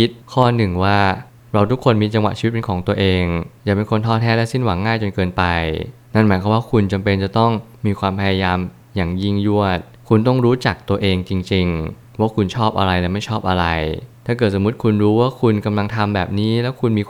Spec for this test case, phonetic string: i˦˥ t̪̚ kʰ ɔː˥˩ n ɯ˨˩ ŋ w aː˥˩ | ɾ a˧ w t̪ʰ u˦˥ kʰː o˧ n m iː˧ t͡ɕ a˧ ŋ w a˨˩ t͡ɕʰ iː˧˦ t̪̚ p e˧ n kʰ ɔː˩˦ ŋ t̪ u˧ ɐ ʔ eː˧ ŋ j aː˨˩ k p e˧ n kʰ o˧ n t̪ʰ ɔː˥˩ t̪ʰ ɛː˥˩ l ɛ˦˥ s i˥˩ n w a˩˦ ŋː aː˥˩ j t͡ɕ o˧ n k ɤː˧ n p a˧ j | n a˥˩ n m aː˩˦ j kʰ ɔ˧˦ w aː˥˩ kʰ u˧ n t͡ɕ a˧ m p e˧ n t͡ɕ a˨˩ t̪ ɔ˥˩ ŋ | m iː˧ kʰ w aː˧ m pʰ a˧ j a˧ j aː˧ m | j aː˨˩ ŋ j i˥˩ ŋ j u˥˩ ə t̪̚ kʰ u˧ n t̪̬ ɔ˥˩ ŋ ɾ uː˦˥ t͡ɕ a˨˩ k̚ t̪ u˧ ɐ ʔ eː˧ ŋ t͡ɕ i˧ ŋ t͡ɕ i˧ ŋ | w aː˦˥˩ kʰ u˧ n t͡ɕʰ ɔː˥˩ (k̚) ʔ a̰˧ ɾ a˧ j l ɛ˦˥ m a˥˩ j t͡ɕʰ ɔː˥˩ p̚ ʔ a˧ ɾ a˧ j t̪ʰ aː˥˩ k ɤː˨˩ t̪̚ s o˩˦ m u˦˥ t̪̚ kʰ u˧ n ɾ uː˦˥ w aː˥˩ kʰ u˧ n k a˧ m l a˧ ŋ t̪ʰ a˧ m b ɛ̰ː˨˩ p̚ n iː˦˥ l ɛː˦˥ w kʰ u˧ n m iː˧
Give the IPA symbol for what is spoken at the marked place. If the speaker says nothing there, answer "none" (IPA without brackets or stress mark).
p̚